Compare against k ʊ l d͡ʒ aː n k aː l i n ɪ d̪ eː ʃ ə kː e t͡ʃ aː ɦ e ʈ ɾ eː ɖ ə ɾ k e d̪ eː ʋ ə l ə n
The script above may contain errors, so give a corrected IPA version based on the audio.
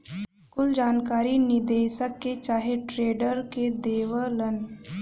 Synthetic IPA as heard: k ʊ l d͡ʒ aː n k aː ɾ i n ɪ d̪ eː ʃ ə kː e t͡ʃ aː ɦ e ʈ ɾ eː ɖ ə ɾ k e d̪ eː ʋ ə l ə n

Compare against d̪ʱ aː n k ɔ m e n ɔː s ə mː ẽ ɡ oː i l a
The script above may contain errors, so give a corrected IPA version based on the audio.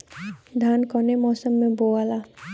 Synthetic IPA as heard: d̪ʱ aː n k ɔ n e m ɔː s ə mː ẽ b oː a l a

